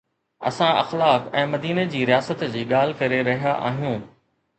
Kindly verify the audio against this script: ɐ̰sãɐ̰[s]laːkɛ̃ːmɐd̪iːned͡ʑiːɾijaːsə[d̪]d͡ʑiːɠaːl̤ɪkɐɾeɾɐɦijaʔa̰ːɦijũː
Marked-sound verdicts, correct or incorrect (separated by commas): incorrect, incorrect